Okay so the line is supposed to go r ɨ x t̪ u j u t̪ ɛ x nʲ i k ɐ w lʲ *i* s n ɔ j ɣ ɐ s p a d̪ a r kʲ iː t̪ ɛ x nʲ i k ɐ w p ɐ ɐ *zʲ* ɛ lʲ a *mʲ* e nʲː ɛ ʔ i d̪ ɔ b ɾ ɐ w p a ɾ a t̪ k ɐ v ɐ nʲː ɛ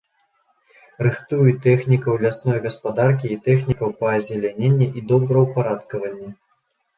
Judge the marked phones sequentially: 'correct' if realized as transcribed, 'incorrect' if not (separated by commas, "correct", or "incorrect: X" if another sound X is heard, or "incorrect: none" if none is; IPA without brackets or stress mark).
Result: incorrect: a, correct, incorrect: nʲ